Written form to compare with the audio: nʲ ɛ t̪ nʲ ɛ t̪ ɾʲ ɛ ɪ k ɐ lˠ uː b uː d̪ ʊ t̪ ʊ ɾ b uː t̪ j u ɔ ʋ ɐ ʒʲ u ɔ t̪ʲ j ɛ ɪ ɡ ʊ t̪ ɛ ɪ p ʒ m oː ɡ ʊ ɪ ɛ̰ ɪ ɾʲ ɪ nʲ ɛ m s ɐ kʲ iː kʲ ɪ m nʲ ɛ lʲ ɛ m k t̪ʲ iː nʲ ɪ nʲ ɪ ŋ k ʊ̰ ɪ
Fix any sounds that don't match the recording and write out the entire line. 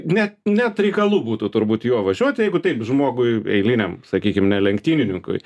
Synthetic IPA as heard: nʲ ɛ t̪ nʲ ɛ t̪ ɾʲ ɛ ɪ k ɐ lˠ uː b uː t̪ ʊ t̪ ʊ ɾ b uː t̪ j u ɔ ʋ ɐ ʒʲ u ɔ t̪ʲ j ɛ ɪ ɡ ʊ t̪ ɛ ɪ p ʒ m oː ɡ ʊ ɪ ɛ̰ ɪ lʲ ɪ nʲ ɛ m s ɐ kʲ iː kʲ ɪ m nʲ ɛ lʲ ɛ ŋ k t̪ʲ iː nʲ ɪ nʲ ɪ ŋ k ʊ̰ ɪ